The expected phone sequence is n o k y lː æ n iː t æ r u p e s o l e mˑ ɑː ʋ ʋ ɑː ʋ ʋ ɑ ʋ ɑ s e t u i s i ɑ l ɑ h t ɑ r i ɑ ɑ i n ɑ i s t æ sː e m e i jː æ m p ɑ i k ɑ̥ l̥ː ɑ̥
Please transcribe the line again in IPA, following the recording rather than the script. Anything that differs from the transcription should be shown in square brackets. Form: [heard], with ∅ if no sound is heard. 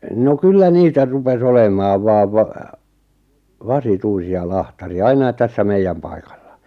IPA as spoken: n o k y lː æ n iː t æ r u p e s o l e mˑ ɑː ʋ ʋ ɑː ʋ ʋ ɑ ʋ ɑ s [i] t u i s i ɑ l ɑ h t ɑ r i ɑ ɑ i n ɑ i [t] t æ sː [æ] m e i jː æ m p ɑ i k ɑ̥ l̥ː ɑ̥